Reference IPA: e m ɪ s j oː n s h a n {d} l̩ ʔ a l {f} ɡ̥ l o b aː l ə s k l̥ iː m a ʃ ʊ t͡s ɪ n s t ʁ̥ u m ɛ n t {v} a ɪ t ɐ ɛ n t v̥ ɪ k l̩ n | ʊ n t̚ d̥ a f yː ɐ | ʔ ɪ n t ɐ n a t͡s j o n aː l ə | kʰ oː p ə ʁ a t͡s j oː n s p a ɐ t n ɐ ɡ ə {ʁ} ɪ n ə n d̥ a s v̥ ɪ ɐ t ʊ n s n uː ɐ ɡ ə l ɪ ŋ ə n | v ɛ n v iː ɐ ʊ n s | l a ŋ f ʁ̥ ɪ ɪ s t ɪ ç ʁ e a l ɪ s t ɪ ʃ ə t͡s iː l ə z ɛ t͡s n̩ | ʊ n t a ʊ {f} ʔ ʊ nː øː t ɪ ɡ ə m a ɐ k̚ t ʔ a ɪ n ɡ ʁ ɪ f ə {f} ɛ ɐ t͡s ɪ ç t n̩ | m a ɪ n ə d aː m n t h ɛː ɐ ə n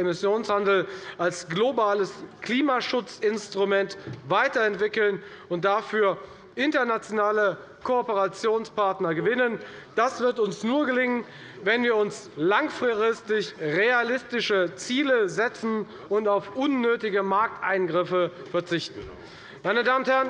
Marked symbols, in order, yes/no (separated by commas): yes, no, yes, no, yes, yes